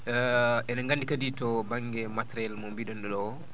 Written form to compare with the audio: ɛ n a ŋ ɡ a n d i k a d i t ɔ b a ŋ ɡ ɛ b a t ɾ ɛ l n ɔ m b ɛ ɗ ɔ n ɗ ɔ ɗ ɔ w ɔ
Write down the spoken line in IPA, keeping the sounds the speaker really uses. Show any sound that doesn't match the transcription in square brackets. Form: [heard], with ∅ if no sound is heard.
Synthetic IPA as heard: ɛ n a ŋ ɡ a n d i k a d i t ɔ b a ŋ ɡ ɛ [m] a t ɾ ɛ l [m] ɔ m b [i] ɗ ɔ n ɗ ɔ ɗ ɔ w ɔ